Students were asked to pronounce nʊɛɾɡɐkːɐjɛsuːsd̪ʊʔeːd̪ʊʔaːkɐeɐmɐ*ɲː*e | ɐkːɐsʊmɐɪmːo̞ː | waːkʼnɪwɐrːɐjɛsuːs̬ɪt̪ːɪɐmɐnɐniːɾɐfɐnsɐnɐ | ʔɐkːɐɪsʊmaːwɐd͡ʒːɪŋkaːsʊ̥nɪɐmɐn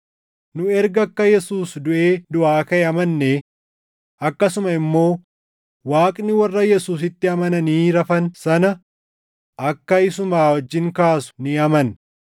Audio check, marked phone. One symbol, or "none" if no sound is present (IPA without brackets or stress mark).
nː